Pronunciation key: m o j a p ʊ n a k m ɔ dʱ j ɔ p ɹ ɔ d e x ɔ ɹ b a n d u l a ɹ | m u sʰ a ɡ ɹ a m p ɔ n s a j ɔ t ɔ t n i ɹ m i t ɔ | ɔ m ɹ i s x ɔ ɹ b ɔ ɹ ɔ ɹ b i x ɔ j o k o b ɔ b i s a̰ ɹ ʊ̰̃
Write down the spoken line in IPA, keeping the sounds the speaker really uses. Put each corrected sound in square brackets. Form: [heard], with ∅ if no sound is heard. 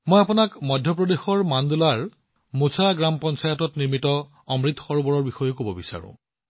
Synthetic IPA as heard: m o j a p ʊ n a k m ɔ dʱ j ɔ p ɹ ɔ d e x ɔ ɹ [m] a n d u l a ɹ | m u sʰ a ɡ ɹ a m p ɔ n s a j ɔ t ɔ t n i ɹ m i t ɔ | ɔ m ɹ i [t] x ɔ ɹ b ɔ ɹ ɔ ɹ b i x ɔ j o k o b ɔ b i s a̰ ɹ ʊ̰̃